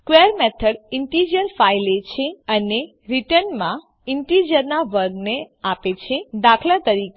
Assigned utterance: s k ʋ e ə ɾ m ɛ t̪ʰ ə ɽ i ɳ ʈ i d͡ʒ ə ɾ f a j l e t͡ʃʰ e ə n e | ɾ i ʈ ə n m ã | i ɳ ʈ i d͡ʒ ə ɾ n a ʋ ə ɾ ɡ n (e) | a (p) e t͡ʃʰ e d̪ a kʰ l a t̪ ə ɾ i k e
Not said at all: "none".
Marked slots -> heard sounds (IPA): e, p

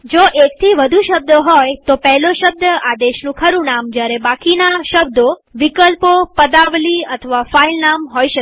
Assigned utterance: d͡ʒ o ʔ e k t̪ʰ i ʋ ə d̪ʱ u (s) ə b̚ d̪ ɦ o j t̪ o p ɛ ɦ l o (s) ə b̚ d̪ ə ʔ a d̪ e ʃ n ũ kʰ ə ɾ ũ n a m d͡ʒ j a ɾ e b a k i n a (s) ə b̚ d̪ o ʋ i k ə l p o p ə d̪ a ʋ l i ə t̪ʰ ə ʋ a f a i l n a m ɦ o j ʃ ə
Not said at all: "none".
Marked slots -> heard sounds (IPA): ʃ, ʃ, ʃ

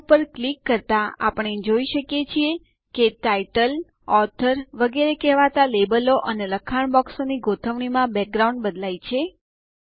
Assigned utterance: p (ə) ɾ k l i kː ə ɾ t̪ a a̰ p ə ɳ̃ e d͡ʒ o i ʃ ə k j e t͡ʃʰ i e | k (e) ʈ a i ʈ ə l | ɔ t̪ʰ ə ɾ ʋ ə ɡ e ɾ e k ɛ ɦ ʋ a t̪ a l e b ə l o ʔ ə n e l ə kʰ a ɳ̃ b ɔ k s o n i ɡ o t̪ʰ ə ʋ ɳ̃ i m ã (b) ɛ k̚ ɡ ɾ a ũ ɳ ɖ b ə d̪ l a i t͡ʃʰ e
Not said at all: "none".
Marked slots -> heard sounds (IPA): ə, e, b

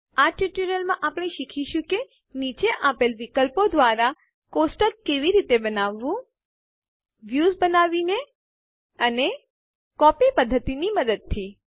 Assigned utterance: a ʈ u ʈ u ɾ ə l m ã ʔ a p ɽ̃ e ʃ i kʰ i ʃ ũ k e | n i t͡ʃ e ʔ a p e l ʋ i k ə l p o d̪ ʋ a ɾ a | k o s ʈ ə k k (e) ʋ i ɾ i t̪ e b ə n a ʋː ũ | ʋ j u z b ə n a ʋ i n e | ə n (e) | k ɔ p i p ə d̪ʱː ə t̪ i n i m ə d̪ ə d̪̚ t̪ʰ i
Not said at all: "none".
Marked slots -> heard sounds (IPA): e, e

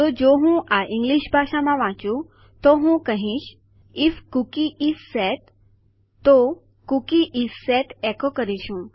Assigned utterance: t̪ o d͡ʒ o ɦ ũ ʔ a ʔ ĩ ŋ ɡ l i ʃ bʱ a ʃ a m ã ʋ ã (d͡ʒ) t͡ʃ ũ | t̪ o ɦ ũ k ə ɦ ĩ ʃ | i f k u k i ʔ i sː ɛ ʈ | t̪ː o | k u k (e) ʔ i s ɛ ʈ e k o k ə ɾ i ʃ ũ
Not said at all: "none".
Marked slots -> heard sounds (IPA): none, i

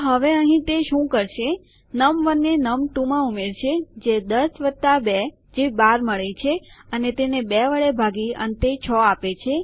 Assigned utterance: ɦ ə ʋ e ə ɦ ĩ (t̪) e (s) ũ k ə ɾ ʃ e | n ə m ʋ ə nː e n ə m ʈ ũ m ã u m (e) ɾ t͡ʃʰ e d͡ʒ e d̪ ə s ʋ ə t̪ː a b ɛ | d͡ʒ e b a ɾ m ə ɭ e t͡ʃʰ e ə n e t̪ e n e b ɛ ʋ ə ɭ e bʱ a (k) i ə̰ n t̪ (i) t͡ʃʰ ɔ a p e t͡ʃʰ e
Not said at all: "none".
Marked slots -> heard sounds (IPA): t̪, ʃ, e, ɡ, e

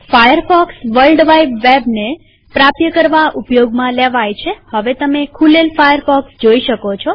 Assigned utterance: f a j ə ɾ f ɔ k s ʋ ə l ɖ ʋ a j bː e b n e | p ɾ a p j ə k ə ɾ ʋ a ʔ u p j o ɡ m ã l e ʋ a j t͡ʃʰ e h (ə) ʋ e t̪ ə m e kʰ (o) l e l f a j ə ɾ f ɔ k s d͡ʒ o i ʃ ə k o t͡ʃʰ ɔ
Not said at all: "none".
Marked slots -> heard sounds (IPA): ə, u

